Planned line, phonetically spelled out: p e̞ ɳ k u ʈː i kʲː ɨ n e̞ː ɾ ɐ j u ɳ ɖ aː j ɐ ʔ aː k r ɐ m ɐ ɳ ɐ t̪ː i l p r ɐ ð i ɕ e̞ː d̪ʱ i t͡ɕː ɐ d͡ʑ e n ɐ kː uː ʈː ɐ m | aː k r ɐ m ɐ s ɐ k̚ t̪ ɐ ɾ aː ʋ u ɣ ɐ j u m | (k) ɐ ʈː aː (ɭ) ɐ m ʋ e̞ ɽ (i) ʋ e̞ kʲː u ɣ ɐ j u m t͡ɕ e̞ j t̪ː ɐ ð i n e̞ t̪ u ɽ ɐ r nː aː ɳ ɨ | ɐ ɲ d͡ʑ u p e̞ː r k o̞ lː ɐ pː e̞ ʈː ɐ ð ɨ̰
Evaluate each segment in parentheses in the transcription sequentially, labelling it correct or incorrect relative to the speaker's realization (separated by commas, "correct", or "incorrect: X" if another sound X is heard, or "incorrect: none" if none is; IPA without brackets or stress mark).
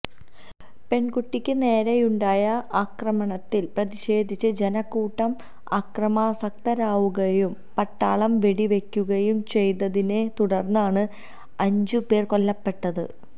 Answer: incorrect: p, correct, correct